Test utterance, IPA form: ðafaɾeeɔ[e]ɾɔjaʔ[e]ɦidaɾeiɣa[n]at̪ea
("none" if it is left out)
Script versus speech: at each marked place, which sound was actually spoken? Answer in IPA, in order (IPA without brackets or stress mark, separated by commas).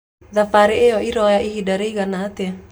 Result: i, i, n